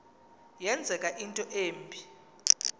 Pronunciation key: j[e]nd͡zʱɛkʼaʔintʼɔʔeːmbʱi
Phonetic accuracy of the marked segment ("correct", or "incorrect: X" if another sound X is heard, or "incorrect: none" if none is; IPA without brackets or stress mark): incorrect: ɛ